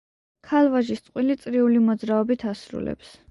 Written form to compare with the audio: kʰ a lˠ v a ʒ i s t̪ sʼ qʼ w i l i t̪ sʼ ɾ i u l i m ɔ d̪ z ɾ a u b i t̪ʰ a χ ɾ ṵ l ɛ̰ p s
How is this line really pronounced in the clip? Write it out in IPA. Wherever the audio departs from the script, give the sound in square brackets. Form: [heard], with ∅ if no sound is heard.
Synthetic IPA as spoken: kʰ a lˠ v a ʒ i s t̪ sʼ qʼ w i l i t̪ sʼ ɾ i u l i m ɔ d̪ z ɾ a [ɔ] b i t̪ʰ a [s] ɾ ṵ l ɛ̰ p s